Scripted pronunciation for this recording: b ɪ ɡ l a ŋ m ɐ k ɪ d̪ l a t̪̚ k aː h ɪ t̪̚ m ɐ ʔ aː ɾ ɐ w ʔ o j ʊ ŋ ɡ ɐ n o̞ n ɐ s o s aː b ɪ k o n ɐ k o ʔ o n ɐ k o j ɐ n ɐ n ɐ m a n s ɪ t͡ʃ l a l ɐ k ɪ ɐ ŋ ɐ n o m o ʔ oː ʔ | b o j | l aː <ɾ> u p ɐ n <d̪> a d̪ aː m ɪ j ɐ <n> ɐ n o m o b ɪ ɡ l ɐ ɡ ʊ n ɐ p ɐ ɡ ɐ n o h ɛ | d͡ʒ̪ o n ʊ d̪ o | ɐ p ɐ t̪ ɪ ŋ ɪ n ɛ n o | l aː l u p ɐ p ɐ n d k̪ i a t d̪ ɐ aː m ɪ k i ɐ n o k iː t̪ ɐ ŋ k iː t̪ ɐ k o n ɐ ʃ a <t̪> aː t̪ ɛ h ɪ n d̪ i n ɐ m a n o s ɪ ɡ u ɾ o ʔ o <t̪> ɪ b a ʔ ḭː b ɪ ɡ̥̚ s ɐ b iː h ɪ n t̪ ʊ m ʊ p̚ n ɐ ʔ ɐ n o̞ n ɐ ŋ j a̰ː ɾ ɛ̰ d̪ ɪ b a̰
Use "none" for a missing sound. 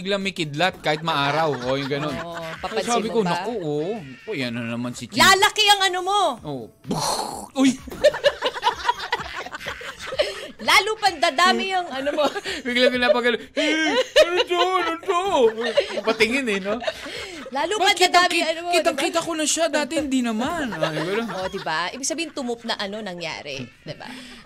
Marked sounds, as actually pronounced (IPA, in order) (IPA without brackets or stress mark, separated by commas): l, d̪, ŋ, d̪, d̪